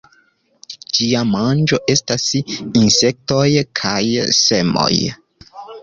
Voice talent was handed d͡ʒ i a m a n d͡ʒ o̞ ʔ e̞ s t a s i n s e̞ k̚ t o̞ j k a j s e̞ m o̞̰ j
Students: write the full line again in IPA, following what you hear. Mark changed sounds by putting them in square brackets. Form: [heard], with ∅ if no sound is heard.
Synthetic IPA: d͡ʒ i a m a n d͡ʒ o̞ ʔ e̞ s t a s i n s e̞ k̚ t o̞ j [kʰ] a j s e̞ m o̞̰ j